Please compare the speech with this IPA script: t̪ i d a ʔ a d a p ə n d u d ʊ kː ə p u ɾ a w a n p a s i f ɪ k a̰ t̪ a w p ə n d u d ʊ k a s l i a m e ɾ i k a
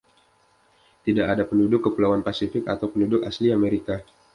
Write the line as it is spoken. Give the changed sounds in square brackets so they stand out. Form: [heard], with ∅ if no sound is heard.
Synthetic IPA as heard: t̪ i d a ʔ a d a p ə n d u d ʊ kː ə p u [l] a w a n p a s i f ɪ k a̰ t̪ a w p ə n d u d ʊ k a s l i a m e ɾ i k a